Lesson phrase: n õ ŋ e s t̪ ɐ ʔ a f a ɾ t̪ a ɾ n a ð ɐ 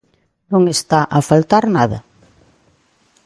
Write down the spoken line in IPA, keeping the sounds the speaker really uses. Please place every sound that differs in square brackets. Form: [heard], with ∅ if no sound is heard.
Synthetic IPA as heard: n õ ŋ e s t̪ [a] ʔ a f a [l] t̪ a ɾ n a ð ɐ